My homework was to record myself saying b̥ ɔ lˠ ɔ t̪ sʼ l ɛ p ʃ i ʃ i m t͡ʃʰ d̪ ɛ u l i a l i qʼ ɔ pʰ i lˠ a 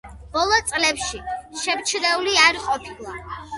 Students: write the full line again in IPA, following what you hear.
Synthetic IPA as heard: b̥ ɔ lˠ ɔ t̪ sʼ l ɛ p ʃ i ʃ ɛ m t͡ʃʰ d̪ ɛ u l i a ɾ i qʼ ɔ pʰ i lˠ a